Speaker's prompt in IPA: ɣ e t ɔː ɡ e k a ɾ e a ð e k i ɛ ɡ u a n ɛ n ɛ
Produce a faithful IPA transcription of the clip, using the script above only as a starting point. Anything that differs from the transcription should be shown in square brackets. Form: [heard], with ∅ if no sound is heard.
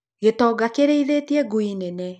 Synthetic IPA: ɣ e t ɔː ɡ [a] k [e] ɾ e [i] ð e [t] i ɛ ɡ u [i] n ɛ n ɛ